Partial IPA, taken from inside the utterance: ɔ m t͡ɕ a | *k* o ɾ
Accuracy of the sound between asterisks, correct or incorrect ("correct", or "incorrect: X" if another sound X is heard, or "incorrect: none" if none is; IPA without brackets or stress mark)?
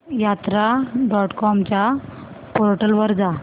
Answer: incorrect: p